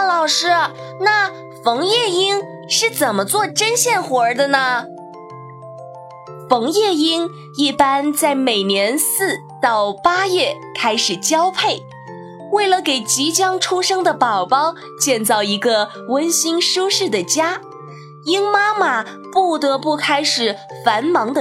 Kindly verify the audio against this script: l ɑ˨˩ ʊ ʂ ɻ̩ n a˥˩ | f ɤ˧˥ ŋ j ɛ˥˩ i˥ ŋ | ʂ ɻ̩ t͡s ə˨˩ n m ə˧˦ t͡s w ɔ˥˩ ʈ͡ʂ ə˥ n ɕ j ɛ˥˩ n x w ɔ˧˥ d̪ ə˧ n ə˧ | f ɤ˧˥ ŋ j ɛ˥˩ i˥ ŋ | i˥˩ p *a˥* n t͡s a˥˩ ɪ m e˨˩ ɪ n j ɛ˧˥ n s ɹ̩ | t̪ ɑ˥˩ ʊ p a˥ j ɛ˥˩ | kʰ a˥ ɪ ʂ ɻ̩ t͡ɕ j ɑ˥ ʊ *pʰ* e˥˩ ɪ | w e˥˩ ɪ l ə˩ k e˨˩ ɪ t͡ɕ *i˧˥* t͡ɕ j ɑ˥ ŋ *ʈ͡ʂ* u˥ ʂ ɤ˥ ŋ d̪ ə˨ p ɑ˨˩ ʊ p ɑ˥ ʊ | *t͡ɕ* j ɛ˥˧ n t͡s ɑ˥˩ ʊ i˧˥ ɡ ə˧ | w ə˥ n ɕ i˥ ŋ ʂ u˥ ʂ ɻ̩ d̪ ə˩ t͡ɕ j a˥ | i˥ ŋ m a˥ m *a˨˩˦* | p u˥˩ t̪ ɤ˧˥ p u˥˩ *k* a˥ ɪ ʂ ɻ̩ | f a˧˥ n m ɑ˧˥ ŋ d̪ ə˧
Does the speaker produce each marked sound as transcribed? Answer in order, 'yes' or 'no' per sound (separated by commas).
yes, yes, yes, no, yes, no, no